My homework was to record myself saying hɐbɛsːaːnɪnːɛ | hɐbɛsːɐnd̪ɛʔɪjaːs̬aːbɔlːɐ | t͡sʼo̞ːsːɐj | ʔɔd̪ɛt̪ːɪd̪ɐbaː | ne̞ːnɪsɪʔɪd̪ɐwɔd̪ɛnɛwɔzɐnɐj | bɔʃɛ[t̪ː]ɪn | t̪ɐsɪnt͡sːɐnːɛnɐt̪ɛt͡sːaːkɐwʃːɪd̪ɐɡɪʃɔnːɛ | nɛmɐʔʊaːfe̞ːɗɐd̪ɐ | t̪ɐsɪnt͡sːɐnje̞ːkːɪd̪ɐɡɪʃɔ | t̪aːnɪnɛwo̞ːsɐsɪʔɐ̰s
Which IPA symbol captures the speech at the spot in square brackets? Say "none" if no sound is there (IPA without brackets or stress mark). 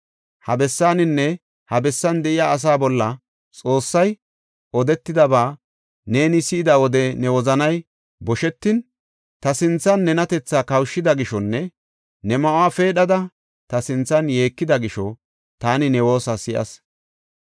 t̪ː